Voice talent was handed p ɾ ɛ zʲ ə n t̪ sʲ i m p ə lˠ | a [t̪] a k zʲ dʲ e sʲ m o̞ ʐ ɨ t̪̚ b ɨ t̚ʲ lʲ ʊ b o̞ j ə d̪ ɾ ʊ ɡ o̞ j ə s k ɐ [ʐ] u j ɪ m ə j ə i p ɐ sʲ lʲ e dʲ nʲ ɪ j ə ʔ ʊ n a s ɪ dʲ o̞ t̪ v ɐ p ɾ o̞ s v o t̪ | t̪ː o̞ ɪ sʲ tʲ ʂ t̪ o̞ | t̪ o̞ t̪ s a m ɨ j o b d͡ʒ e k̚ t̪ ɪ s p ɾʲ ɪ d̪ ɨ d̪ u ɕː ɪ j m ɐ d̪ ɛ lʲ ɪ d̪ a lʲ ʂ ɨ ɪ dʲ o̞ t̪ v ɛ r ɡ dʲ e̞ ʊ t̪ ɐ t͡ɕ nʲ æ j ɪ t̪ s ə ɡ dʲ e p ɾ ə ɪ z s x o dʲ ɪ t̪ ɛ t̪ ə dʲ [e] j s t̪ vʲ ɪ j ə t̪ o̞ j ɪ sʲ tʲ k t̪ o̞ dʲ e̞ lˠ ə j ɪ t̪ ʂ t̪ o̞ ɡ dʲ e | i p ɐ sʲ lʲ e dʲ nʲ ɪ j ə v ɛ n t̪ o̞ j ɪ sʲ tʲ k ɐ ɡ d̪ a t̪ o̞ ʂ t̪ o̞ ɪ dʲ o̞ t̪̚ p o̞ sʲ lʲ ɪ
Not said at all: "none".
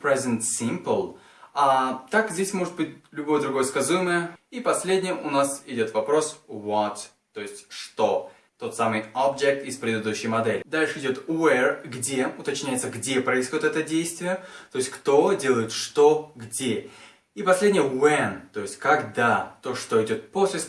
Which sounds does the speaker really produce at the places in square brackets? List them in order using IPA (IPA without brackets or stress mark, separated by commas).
t̪, z, e